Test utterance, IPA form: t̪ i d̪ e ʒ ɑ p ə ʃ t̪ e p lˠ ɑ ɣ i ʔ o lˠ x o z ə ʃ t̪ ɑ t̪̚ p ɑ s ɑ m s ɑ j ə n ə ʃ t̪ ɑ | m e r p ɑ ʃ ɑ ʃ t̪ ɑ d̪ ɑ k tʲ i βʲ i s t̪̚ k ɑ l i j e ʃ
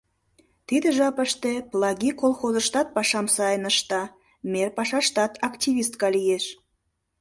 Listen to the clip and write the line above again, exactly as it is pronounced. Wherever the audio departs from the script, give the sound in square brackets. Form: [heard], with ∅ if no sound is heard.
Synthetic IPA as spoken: t̪ i d̪ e ʒ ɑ p ə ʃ t̪ e p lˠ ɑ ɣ i [k] o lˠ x o z ə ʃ t̪ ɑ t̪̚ p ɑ [ʃ] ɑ m s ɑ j ə n ə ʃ t̪ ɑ | m e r p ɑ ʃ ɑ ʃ t̪ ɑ [t̪] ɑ k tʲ i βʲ i s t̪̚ k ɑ l i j e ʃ

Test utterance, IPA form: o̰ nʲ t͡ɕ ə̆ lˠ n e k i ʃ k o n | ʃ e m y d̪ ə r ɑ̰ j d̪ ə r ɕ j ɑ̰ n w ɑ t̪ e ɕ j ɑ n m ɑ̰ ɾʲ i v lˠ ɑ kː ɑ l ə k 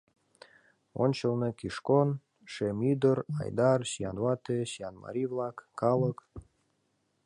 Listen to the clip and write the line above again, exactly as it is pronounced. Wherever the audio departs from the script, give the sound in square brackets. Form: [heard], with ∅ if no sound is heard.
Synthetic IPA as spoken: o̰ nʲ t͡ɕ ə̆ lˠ n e k i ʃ k o n | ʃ e m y d̪ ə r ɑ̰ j d̪ [ɑ] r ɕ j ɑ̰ n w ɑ t̪ e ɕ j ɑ n m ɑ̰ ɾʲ i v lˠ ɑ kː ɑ l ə k

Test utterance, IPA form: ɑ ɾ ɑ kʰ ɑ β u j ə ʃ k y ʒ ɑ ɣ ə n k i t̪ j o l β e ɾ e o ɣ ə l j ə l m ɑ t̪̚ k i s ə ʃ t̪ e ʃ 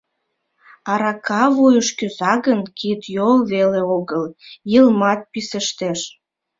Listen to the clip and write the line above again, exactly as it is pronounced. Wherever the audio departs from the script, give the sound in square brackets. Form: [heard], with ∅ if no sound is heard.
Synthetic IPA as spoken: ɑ ɾ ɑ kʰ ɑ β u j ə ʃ k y [z] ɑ ɣ ə n k i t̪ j o l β e [l] e o ɣ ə l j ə l m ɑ t̪̚ [p] i s ə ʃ t̪ e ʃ

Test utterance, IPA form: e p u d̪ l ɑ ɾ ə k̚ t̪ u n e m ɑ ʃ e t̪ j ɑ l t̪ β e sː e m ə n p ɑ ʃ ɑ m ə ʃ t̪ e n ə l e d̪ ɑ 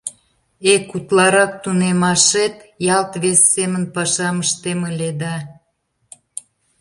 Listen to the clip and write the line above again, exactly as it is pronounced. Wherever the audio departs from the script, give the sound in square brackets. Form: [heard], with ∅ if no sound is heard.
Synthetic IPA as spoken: e [k] u [t̪] l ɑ ɾ [ɑ] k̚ t̪ u n e m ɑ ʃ e t̪ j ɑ l t̪ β e sː e m ə n p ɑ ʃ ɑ m ə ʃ t̪ e [m] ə l e d̪ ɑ

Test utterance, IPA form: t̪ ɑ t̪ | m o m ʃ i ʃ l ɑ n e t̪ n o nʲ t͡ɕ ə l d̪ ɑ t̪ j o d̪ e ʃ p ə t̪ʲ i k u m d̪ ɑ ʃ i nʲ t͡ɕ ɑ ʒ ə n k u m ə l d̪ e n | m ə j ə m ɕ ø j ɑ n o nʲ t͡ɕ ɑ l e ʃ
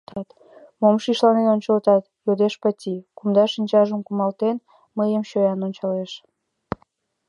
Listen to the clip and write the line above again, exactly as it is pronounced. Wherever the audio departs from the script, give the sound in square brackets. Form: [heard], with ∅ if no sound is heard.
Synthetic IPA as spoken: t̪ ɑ t̪ | m o m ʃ i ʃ l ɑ n e [∅] n o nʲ t͡ɕ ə l [t̪] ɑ t̪ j o d̪ e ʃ p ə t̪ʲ i k u m d̪ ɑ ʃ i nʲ t͡ɕ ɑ ʒ ə [m] k u m [ɑ] l [t̪] e n | m ə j ə m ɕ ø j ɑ n o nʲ t͡ɕ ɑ l e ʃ

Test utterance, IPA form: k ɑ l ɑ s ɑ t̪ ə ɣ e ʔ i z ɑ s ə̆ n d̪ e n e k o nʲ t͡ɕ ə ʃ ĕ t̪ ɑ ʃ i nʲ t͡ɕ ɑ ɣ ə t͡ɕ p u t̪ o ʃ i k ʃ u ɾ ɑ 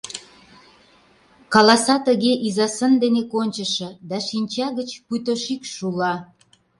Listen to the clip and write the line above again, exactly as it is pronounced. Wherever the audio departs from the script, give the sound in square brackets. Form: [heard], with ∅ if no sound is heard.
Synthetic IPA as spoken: k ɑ l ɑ s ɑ t̪ ə ɣ e ʔ i z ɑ s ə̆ n d̪ e n e k o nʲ t͡ɕ ə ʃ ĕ [d̪] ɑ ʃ i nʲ t͡ɕ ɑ ɣ ə t͡ɕ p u t̪ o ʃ i k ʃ u [l] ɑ

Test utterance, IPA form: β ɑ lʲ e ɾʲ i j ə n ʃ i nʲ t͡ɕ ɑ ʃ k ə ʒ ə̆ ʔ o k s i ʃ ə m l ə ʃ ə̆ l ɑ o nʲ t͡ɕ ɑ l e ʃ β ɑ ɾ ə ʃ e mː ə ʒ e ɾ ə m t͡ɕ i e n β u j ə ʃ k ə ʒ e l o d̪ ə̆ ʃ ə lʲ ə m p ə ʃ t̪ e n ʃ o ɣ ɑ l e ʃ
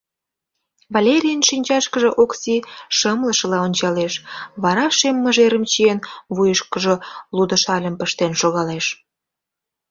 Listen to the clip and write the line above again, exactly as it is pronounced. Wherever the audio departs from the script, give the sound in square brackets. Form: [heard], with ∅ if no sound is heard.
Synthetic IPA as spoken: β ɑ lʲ e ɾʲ i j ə n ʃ i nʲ t͡ɕ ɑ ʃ k ə ʒ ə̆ ʔ o k s i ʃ ə m l ə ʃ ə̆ l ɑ o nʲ t͡ɕ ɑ l e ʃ β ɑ ɾ [ɑ] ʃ e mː ə ʒ e ɾ ə m t͡ɕ i e n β u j ə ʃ k ə ʒ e l [u] d̪ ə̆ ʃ [ɑ] lʲ ə m p ə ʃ t̪ e n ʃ o ɣ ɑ l e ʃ

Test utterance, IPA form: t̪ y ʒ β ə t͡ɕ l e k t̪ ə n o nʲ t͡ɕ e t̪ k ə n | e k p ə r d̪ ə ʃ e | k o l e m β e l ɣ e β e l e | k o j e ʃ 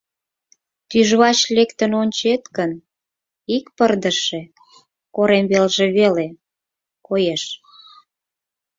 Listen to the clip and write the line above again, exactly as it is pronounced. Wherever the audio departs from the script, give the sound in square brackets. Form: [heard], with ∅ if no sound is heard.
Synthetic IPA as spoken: t̪ y ʒ β [ɑ] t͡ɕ l e k t̪ ə n o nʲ t͡ɕ e t̪ k ə n | [i] k p ə r d̪ ə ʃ e | k o [ɾ] e m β e l [ʒ] e β e l e | k o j e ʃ

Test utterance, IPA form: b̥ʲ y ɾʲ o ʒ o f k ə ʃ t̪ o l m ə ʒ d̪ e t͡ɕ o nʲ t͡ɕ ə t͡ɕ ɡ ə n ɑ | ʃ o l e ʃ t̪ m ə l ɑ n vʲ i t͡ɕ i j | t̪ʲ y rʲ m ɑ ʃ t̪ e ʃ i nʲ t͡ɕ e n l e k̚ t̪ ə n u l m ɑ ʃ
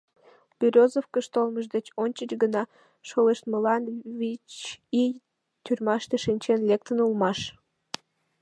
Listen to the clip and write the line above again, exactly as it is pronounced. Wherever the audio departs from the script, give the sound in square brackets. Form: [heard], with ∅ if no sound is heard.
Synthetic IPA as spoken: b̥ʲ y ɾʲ o [z] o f k ə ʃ t̪ o l m ə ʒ d̪ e t͡ɕ o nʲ t͡ɕ ə t͡ɕ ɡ ə n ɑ | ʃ o l e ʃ t̪ m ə l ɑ n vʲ i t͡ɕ i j | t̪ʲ y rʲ m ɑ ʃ t̪ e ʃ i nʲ t͡ɕ e n l e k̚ t̪ ə n u l m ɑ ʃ

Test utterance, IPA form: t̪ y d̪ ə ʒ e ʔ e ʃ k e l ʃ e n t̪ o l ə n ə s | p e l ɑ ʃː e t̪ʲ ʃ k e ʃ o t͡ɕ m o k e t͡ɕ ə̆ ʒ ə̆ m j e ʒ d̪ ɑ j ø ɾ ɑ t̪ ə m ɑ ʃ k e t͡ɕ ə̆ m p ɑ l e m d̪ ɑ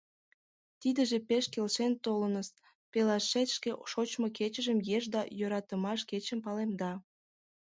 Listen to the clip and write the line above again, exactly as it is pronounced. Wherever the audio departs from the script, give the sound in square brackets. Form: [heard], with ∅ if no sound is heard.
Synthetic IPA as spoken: t̪ [i] d̪ ə ʒ e [p] e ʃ k e l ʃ e n t̪ o l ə n ə s | p e l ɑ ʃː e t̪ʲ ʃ k e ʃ o t͡ɕ m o k e t͡ɕ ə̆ ʒ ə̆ m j e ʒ d̪ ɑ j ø ɾ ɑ t̪ ə m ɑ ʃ k e t͡ɕ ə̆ m p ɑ l e m d̪ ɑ

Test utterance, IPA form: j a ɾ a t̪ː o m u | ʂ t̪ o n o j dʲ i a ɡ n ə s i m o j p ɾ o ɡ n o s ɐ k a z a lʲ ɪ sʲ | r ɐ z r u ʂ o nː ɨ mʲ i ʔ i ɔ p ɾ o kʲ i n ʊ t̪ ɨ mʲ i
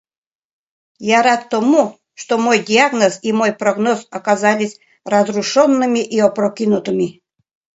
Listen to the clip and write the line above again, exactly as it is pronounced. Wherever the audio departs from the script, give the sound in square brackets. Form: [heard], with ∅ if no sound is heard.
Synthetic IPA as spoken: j a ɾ a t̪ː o m u | ʂ t̪ o [m] o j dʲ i a ɡ n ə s i m o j p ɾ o ɡ n o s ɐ k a z a lʲ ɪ sʲ | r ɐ z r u ʂ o nː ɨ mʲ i ʔ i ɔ p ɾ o kʲ i n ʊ t̪ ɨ mʲ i

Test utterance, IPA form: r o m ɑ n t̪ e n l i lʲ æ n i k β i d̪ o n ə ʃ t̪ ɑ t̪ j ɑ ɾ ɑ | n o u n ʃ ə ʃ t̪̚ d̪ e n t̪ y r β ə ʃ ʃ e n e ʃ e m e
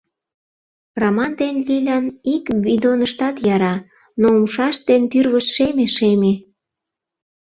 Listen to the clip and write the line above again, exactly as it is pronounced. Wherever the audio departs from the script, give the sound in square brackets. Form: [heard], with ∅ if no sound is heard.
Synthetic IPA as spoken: r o m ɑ n [d̪] e n l i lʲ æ n i k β i d̪ o n ə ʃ t̪ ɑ t̪ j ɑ ɾ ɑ | n o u [m] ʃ [ɑ] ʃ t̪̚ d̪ e n t̪ y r β ə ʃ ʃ e [m] e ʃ e m e

